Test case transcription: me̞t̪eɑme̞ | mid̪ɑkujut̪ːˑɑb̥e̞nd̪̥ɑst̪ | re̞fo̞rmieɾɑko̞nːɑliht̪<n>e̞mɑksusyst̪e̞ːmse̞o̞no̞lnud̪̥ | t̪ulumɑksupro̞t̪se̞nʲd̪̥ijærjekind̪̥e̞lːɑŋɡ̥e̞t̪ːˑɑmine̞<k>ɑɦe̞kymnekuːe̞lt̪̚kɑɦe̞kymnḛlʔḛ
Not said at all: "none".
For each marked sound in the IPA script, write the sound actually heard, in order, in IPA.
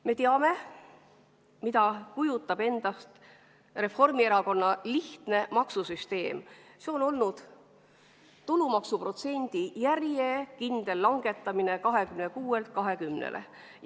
n, k

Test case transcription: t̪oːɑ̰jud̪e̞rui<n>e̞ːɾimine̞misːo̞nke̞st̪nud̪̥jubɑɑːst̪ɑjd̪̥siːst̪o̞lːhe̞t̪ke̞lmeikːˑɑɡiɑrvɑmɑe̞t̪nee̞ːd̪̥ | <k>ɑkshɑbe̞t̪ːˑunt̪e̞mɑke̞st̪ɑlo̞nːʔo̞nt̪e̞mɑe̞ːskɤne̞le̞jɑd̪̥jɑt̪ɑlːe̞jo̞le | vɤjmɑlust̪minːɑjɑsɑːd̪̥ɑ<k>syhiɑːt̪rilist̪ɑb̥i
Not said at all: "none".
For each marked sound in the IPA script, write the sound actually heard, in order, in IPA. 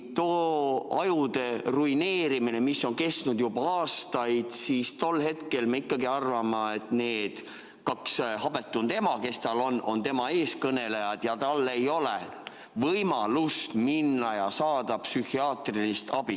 n, k, p

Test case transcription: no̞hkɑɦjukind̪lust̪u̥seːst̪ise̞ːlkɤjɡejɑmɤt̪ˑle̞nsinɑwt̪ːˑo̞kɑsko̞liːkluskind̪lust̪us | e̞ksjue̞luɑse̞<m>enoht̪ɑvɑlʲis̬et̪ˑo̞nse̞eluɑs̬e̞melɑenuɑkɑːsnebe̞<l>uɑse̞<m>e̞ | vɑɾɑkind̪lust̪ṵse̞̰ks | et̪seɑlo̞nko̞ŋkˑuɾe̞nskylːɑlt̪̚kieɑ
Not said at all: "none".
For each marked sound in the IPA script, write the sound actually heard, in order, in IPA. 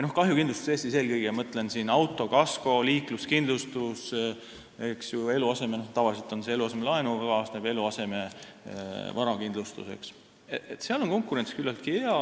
m, l, m

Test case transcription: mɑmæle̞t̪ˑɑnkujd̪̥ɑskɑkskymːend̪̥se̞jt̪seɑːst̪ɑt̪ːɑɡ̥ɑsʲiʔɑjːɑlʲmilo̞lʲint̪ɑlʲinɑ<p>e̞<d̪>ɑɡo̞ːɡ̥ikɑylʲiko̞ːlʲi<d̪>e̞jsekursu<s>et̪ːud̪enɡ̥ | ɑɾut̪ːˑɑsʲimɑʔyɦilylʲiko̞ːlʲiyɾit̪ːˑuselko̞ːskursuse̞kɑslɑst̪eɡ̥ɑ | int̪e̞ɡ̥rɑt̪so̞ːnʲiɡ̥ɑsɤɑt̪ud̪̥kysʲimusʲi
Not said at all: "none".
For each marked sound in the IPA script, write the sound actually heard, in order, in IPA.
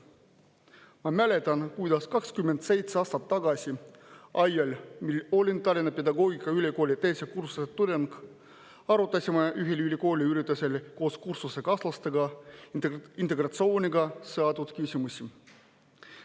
p, d̪, t̪, s

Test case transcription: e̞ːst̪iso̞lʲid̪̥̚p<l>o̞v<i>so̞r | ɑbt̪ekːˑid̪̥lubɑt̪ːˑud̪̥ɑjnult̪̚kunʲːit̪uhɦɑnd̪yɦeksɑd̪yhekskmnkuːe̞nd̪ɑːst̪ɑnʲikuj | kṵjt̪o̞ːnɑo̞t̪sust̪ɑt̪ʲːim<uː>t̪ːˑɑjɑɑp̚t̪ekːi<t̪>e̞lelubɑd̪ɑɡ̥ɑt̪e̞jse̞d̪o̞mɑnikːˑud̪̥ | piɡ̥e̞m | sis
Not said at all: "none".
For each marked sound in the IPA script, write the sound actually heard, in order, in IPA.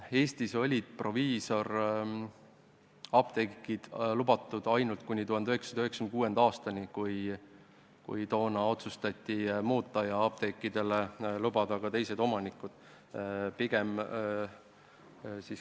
r, iː, uː, d̪

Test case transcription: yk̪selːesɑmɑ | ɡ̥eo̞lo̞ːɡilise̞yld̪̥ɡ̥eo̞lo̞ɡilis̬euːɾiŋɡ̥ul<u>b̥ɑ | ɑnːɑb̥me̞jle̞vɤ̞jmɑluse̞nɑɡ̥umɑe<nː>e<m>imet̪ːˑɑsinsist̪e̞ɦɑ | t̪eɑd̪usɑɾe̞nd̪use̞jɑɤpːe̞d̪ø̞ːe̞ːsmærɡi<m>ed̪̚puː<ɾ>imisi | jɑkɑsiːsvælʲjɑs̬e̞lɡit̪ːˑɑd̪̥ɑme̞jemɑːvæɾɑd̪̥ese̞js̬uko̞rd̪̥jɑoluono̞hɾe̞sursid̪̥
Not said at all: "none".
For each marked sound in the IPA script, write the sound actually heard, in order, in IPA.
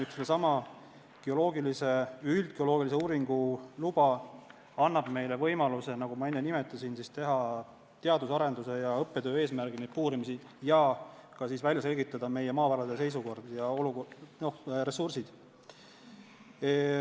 u, nː, n, n, ɾ

